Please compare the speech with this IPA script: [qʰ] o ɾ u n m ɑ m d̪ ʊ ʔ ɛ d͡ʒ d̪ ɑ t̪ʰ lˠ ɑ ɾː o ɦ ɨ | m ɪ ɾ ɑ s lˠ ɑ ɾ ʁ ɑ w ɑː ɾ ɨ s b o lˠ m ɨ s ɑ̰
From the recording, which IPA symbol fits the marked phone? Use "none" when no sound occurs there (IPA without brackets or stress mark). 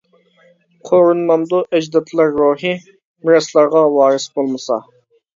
qʰ